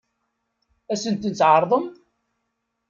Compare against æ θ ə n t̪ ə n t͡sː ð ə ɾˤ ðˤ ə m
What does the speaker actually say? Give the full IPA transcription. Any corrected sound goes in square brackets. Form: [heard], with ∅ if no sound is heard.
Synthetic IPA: æ [s] ə n t̪ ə n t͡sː [ʕ] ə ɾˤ ðˤ ə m